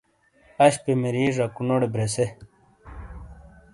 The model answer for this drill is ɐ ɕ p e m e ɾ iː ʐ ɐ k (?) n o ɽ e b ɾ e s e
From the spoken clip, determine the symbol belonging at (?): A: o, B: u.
B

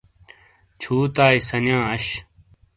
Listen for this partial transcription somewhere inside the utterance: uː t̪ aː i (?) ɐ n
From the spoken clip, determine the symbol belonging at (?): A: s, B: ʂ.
A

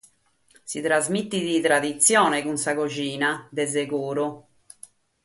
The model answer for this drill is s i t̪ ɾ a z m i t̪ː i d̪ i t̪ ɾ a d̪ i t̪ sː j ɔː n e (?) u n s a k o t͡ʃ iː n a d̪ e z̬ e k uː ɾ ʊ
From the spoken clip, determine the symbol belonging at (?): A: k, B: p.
A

